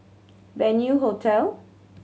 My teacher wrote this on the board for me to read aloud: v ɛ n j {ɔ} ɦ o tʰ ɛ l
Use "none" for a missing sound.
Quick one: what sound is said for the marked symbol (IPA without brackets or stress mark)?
u